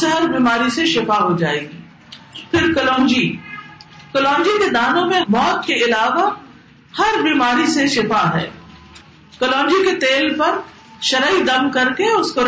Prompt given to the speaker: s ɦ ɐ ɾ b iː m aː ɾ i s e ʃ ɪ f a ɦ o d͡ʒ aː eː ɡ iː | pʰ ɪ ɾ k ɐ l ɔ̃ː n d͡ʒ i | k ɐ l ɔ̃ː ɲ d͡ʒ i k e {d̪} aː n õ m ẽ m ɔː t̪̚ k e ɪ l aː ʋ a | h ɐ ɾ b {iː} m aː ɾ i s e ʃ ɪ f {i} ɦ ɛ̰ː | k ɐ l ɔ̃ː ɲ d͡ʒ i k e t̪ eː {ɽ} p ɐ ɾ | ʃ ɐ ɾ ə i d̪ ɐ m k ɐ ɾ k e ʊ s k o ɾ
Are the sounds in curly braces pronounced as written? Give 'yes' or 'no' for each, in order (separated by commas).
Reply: yes, yes, no, no